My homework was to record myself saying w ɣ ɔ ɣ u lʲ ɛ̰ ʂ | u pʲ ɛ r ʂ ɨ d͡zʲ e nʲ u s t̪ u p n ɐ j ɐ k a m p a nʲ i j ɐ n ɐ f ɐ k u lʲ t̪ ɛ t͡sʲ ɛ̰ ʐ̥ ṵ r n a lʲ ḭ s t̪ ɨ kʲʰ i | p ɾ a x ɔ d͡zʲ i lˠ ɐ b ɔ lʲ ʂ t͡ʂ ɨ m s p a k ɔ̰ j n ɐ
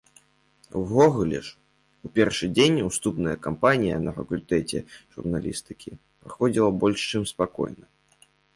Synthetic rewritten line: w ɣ ɔ ɣ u lʲ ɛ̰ ʂ | u pʲ ɛ r ʂ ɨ d͡zʲ e nʲ u s t̪ u p n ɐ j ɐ k a m p a nʲ i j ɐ n ɐ f ɐ k u lʲ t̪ ɛ t͡sʲ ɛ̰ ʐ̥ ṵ r n a lʲ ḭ s t̪ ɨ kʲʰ i | p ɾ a x ɔ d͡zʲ i lˠ ɐ b ɔ lʲ ʂ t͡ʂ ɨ m s p a k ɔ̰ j n ɐ